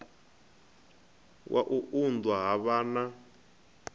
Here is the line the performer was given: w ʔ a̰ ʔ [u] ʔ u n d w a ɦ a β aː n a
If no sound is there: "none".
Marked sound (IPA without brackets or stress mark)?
u